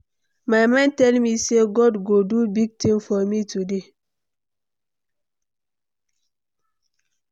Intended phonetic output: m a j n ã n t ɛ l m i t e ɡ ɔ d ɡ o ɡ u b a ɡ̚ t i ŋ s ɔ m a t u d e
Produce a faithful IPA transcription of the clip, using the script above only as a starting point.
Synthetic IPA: m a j m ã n t ɛ l m i s e ɡ ɔ d ɡ o d u b i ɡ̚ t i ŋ f ɔ m i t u d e